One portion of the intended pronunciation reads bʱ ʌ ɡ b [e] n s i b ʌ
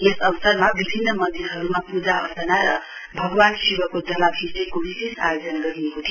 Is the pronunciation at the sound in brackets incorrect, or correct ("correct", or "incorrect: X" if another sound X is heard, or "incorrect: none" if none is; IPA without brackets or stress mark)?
incorrect: a